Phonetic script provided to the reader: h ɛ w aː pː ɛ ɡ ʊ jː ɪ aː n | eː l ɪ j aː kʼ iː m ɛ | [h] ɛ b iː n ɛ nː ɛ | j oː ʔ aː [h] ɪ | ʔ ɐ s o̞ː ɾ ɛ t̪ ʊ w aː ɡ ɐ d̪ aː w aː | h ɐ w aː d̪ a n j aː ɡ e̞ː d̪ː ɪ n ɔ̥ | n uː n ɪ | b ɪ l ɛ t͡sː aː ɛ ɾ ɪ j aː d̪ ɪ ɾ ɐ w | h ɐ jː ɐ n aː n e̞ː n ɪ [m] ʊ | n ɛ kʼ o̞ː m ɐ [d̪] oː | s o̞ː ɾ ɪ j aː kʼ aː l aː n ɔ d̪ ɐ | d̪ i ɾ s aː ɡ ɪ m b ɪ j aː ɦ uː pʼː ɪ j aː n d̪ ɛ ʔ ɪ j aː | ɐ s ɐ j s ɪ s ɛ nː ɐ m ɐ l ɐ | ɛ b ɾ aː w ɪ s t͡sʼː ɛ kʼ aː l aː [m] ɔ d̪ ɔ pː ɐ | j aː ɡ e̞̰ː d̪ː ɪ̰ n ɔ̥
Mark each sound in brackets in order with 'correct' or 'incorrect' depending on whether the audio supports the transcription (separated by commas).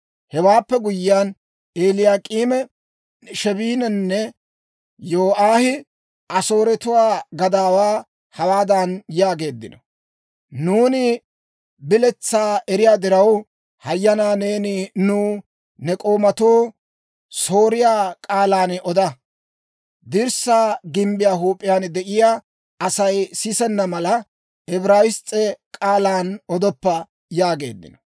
incorrect, correct, incorrect, incorrect, incorrect